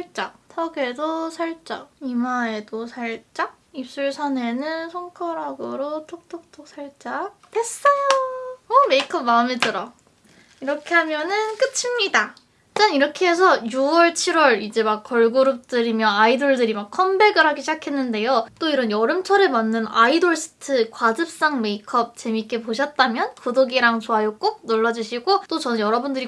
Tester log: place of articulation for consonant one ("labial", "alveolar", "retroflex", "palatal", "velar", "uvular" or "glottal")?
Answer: retroflex